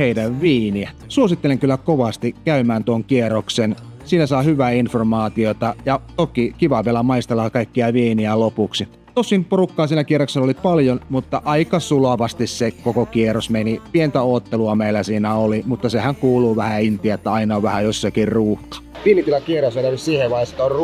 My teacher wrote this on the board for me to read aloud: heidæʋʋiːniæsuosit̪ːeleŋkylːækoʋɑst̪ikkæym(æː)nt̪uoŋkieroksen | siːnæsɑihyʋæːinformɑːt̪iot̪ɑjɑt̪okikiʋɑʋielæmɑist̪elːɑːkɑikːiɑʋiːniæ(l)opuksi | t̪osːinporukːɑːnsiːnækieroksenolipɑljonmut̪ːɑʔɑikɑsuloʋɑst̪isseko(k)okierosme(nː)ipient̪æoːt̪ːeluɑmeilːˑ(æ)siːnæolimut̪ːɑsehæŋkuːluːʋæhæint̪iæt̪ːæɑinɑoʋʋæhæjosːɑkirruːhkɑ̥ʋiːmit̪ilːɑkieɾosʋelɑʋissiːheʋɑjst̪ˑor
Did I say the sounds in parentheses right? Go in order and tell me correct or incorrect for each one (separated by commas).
correct, correct, correct, incorrect, correct